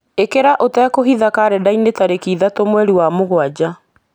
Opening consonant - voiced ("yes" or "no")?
no